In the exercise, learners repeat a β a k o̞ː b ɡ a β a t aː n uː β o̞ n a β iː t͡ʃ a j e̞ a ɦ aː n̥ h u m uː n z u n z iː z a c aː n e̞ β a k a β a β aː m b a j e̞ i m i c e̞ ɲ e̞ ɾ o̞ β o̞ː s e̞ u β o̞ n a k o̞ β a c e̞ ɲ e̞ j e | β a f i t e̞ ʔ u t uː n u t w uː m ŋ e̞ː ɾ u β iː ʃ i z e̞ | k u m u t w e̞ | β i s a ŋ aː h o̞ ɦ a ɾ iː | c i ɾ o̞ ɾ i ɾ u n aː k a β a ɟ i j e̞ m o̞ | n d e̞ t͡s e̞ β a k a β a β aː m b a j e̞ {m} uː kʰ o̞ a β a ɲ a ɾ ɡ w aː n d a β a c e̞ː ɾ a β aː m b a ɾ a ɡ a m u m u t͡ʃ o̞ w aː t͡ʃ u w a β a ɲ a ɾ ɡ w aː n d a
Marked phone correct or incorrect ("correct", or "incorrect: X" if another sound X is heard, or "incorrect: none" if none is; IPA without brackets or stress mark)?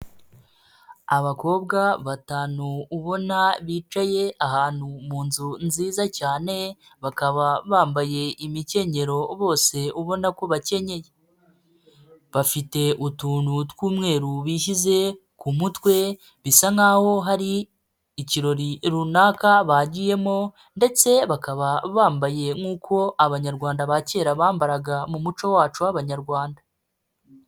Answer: incorrect: ŋ